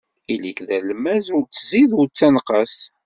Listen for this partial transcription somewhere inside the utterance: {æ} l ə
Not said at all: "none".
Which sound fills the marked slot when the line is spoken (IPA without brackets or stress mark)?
i